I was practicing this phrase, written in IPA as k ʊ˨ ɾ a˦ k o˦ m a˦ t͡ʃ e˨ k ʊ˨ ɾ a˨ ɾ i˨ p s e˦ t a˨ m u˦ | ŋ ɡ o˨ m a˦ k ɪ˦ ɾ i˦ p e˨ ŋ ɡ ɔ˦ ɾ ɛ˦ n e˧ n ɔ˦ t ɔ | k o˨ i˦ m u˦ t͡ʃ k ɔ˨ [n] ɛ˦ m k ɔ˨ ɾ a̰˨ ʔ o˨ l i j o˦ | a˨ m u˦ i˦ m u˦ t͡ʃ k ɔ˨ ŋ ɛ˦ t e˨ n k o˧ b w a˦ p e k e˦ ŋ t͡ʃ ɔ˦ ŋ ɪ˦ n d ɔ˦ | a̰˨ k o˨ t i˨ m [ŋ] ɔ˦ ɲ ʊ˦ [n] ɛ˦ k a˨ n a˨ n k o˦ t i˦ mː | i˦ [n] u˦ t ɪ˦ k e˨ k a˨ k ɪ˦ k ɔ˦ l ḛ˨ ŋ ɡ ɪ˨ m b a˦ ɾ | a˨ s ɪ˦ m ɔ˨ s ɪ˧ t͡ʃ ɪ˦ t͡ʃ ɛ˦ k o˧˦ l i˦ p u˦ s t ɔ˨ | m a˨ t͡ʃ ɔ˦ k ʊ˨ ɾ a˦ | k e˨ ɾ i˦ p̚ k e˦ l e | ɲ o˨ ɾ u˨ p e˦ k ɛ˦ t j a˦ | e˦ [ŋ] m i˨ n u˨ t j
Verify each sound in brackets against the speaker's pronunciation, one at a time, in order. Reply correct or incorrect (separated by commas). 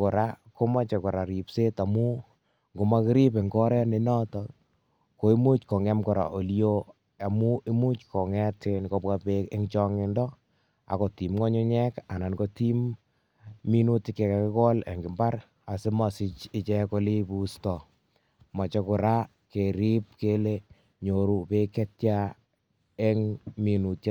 incorrect, correct, incorrect, correct, correct